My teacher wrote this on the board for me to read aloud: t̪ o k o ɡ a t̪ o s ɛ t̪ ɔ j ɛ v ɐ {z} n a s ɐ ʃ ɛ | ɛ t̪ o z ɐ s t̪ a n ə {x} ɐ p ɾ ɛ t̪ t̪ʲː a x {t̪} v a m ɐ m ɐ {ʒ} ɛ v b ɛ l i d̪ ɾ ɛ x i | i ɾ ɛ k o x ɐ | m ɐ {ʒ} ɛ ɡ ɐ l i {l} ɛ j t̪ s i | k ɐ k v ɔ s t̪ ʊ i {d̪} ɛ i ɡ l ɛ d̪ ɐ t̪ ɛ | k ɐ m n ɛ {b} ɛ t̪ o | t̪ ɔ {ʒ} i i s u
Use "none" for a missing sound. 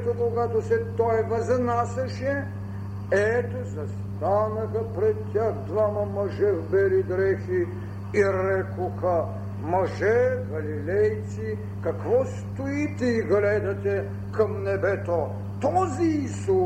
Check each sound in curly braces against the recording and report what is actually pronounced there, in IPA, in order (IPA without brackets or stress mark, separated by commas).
z, x, d̪, ʒ, ʒ, l, t̪, b, z